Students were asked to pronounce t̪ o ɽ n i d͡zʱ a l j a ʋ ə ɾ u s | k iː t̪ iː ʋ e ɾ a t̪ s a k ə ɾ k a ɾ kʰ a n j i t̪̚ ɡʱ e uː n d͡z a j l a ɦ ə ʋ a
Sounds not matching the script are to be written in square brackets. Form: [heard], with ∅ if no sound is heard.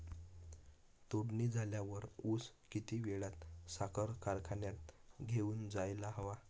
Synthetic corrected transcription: t̪ o ɽ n i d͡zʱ a l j a ʋ ə ɾ u s | k [i] t̪ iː ʋ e [ɭ] a t̪ s a k ə ɾ k a ɾ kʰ a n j [a] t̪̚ ɡʱ e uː n d͡z a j l a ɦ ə ʋ a